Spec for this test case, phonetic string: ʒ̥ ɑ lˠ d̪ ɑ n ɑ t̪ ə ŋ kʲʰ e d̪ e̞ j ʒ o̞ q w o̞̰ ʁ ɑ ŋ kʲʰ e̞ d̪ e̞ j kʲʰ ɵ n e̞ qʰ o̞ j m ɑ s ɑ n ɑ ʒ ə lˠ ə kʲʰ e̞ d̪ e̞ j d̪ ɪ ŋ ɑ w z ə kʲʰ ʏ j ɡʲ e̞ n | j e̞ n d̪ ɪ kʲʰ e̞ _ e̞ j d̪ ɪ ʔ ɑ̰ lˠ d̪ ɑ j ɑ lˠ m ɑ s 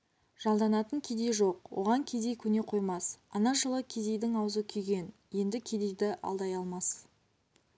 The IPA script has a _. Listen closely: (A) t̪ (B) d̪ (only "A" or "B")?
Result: B